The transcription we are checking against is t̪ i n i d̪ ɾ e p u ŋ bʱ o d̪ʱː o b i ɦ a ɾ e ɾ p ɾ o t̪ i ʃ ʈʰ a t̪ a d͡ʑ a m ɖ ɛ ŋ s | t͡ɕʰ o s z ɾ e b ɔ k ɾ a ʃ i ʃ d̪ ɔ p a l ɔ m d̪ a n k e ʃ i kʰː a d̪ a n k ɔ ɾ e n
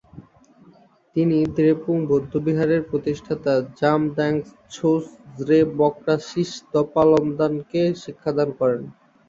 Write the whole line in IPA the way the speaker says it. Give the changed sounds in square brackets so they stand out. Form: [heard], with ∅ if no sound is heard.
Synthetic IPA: t̪ i n i d̪ ɾ e p u ŋ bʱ o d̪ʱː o b i ɦ a ɾ e ɾ p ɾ o t̪ i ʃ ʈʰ a t̪ a d͡ʑ a m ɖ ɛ ŋ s | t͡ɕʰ o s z ɾ e b ɔ k ɾ a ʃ i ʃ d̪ ɔ p a l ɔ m d̪ a n k e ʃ i kʰː a d̪ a n k ɔ ɾ e n